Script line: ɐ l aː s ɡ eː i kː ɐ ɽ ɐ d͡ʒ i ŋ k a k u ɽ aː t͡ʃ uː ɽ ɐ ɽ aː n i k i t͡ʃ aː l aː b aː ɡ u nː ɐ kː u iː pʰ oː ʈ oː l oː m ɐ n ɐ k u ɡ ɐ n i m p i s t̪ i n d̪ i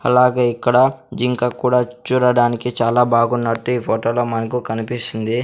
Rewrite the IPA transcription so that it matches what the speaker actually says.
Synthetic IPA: ɐ l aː ɡ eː i kː ɐ ɽ ɐ d͡ʒ i ŋ k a k uː ɽ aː t͡ʃ uː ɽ ɐ ɽ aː n i k i t͡ʃ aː l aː b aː ɡ u nː ɐ ʈː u iː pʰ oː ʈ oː l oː m ɐ n ɐ k u k ɐ n i p i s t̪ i n d̪ i